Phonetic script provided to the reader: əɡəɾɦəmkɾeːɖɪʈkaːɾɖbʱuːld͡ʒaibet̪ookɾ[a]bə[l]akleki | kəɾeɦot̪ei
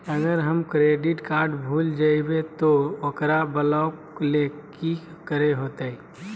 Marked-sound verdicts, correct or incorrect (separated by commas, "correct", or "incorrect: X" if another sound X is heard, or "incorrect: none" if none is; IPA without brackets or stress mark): correct, correct